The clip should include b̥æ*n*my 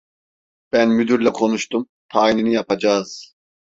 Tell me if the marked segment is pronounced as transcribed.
yes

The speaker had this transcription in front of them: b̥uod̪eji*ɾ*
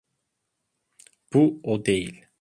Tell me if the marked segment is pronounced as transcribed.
no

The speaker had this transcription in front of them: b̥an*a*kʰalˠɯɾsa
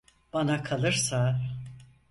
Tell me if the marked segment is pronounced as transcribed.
yes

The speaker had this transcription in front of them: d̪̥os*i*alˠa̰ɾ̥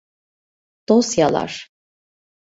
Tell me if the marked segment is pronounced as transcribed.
no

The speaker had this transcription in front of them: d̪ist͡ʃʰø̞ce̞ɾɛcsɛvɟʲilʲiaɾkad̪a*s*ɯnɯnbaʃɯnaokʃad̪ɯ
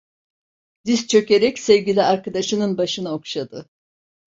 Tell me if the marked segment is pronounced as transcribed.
no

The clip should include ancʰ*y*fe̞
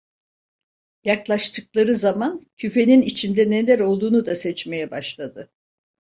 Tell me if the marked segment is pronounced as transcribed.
yes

